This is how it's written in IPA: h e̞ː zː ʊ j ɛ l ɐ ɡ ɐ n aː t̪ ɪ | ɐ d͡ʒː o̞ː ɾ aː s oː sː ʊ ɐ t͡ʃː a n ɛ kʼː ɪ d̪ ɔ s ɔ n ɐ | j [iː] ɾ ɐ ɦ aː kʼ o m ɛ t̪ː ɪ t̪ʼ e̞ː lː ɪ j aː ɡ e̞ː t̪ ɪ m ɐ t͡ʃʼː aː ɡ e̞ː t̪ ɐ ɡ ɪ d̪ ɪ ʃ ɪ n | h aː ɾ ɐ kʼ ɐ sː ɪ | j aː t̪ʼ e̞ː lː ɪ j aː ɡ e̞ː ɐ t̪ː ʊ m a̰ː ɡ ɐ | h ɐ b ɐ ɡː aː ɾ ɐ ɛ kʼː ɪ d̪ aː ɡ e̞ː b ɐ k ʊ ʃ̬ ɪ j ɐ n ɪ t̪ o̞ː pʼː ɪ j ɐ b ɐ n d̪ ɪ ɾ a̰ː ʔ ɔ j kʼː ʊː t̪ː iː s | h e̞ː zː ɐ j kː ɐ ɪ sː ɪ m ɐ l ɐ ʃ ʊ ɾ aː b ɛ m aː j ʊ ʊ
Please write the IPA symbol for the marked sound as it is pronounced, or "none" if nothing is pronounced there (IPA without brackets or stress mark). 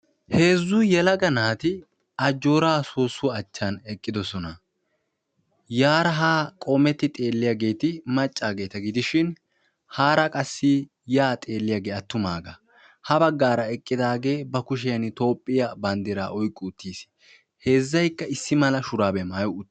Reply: aː